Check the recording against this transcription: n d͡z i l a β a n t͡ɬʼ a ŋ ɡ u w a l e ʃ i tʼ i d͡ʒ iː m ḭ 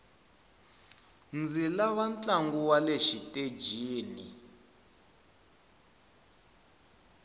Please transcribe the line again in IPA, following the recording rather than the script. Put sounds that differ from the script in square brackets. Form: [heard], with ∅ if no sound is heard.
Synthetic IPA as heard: n d͡z i l a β a n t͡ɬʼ a ŋ ɡ u w a l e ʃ i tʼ [e] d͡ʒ iː [n] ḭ

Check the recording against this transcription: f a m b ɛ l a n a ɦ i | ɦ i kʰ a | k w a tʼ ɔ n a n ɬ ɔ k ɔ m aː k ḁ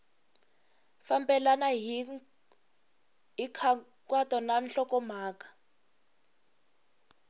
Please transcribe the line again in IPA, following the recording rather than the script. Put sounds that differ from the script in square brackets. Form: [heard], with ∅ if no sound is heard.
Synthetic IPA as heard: f a m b ɛ l a n a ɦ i | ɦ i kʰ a | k w a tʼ ɔ n a n ɬ ɔ k ɔ m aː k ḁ

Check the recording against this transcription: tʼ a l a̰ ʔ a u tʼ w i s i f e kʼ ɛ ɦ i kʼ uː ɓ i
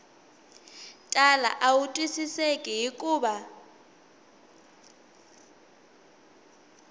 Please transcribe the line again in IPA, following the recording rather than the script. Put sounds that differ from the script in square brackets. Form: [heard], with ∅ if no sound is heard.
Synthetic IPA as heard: tʼ a l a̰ ʔ a u tʼ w i s i [s] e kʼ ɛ ɦ i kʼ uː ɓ [a]

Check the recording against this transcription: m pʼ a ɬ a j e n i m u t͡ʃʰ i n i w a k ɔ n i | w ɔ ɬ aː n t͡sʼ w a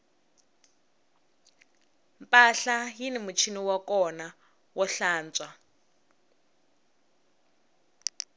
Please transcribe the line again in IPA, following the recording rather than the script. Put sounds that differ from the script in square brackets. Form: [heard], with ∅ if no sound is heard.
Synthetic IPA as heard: m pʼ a ɬ a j [i] n i m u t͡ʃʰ i n i w a k ɔ n [a] | w ɔ ɬ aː n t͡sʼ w a

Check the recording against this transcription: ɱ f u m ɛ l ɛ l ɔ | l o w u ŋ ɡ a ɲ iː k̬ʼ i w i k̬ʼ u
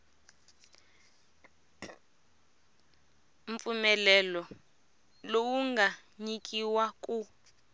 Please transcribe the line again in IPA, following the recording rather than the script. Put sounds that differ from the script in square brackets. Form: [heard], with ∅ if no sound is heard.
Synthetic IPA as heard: ɱ f u m ɛ l ɛ l ɔ | l o w u ŋ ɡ a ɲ [i] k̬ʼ i w [a] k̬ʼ u

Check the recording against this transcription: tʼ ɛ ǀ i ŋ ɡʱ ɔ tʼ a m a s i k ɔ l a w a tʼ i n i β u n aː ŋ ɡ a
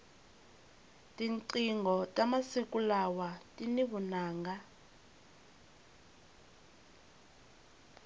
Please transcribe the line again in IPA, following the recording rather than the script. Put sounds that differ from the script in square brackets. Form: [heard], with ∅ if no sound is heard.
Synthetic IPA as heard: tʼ [i] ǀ i ŋ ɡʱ ɔ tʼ a m a s i k [u] l a w a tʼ i n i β u n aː ŋ ɡ a

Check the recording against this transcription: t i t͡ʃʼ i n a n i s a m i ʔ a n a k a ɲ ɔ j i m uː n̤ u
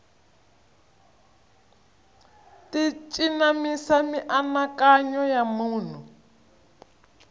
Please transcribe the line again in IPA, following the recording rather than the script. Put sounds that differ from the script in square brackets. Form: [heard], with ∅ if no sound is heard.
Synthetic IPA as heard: t i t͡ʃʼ i n a [m] i s a m i ʔ a n a k a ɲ ɔ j [a] m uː n̤ u

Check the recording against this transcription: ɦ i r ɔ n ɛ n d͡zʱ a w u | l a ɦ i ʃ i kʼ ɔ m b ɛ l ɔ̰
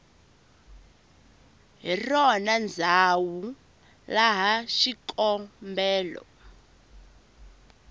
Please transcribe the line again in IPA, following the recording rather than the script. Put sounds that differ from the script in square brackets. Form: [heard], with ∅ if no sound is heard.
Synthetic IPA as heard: ɦ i r ɔ n [a] n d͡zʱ a w u | l a ɦ [a] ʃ i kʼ ɔ m b [ɛː] l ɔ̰

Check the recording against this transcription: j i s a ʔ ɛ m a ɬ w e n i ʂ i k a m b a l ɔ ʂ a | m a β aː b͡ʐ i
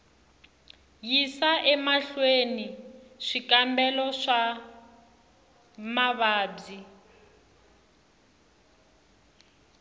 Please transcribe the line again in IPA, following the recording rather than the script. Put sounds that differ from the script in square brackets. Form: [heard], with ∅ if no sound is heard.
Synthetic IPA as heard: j i s a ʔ ɛ m a ɬ w e n i ʂ i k a m b [ɛ] l ɔ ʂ a | m a β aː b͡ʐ i

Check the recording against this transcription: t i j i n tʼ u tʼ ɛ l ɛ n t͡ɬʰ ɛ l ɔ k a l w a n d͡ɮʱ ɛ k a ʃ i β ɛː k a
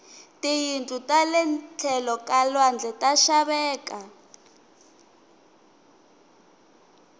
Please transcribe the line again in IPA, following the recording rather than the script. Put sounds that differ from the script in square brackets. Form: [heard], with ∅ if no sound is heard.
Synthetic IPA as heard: t i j i n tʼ u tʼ [a] l ɛ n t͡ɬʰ ɛ l ɔ k a l w a n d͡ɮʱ ɛ [t] a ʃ [a] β ɛː k a

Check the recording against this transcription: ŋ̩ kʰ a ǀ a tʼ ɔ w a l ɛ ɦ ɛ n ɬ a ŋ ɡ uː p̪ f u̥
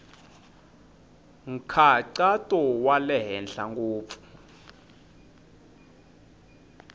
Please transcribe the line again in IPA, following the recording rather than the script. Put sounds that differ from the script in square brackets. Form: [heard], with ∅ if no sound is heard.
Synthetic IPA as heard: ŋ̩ kʰ a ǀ a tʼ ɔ w a l ɛ ɦ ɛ n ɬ a ŋ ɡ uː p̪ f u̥

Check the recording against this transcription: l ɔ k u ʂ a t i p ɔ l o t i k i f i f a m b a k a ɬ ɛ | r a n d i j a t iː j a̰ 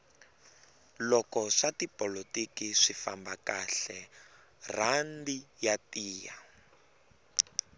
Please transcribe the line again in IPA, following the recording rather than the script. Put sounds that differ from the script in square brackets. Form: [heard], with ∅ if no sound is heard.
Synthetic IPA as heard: l ɔ k [ɔ] ʂ a t i p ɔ l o t i k i [ʂ] i f a m b a k a ɬ ɛ | r a n d i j a t iː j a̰

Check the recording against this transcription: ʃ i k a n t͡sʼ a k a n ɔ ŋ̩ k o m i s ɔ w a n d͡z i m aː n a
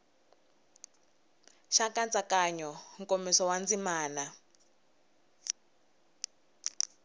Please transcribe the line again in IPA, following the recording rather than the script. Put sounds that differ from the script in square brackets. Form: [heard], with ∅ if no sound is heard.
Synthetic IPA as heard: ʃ [a] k a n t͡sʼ a k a [ɲ] ɔ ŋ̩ k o m i s ɔ w a n d͡z i m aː n a

